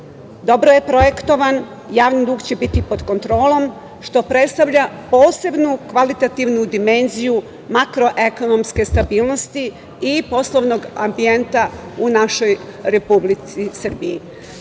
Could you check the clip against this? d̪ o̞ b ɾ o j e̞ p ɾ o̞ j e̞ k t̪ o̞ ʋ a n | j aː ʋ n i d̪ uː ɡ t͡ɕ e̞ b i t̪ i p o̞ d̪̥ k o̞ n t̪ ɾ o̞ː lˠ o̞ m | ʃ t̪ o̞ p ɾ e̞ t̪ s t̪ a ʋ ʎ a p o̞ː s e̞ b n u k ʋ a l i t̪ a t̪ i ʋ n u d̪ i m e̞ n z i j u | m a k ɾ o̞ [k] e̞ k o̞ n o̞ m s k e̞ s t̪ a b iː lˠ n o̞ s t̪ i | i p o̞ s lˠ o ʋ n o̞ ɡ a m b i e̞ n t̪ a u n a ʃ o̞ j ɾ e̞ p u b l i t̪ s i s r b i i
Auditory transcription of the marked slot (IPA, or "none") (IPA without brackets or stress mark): ʔ